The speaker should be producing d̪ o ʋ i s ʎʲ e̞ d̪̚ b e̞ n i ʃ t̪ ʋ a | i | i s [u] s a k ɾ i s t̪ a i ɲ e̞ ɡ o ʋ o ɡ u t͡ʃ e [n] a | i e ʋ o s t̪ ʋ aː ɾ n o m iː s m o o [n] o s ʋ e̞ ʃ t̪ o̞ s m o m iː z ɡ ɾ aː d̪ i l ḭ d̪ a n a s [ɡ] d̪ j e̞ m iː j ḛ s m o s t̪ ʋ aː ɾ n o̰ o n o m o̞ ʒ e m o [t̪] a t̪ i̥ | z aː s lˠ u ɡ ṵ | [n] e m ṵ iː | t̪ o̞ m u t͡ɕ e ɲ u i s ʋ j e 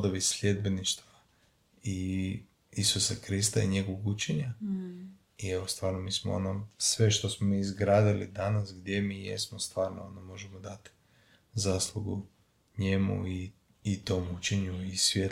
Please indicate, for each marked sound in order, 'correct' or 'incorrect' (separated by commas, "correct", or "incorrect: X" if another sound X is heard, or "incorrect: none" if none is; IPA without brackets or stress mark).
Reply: correct, incorrect: ɲ, correct, correct, incorrect: d̪, incorrect: ɲ